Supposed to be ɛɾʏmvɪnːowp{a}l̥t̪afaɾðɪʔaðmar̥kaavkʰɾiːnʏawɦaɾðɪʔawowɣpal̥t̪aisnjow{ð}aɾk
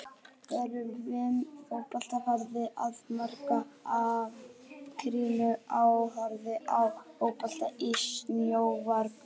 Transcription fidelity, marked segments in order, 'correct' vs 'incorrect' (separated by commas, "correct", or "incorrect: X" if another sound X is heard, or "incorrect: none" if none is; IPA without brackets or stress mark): correct, incorrect: v